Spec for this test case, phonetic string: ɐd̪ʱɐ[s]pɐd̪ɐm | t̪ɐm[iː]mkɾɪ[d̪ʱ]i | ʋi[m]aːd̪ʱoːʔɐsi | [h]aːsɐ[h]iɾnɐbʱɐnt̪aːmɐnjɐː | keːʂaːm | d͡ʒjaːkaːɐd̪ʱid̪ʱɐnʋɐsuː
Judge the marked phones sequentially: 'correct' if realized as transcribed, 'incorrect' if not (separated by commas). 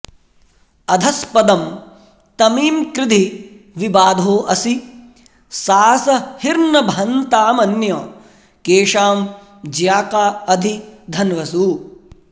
correct, correct, correct, incorrect, incorrect, correct